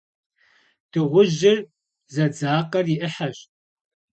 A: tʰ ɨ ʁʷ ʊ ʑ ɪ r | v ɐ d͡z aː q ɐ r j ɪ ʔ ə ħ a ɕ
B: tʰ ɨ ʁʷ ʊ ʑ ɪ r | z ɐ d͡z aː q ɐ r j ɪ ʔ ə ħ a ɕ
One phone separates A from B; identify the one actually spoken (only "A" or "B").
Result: B